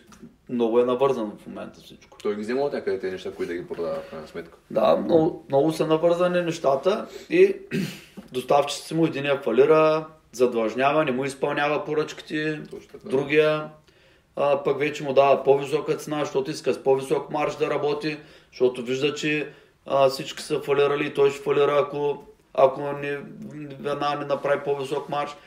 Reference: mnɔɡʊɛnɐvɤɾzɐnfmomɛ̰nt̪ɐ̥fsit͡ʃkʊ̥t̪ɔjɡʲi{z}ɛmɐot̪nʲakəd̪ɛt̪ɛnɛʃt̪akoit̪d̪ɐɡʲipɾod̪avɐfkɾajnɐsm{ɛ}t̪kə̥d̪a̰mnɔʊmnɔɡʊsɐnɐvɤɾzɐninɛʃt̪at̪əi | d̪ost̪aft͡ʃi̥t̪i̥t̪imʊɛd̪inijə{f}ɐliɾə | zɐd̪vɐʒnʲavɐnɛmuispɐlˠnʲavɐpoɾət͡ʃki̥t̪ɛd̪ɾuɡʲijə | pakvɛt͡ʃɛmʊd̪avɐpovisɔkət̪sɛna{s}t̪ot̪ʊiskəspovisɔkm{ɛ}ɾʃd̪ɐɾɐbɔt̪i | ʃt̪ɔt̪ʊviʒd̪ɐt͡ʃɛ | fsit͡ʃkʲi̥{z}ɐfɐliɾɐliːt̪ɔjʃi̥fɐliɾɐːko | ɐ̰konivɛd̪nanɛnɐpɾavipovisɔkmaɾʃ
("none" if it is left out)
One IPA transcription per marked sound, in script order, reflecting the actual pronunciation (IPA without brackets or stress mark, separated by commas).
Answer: z, ɛ, f, ʃ, a, s